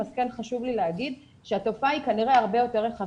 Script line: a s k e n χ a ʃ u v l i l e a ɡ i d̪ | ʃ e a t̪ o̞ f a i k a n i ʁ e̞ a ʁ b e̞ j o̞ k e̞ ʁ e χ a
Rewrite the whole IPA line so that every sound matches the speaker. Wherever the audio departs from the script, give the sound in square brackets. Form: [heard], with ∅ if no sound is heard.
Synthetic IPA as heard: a s k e n χ a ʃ u v l i l e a ɡ i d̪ | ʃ e a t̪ o̞ f a i k a n i ʁ e̞ a ʁ b e̞ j o̞ [t] e̞ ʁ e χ a